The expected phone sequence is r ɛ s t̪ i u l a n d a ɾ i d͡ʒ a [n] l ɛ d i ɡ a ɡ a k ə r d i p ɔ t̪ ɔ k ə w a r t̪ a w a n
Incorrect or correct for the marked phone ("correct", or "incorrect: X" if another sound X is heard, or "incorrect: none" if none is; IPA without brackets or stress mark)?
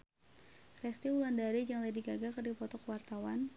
incorrect: ŋ